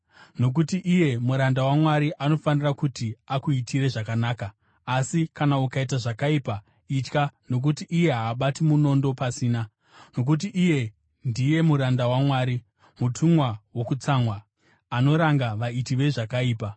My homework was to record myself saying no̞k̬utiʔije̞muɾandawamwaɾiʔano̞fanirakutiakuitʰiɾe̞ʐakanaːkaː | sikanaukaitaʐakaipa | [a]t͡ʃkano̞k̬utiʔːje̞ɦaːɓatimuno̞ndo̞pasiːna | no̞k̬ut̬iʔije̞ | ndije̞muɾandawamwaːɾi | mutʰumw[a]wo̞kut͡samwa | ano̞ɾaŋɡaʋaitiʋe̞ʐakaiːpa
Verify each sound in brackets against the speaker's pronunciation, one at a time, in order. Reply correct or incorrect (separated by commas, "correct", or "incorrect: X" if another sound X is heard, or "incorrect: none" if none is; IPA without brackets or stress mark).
incorrect: i, correct